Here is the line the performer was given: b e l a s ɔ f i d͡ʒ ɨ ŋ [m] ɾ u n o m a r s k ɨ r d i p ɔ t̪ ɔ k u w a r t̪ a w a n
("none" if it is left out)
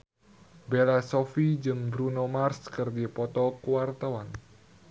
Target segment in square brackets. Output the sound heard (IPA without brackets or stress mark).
b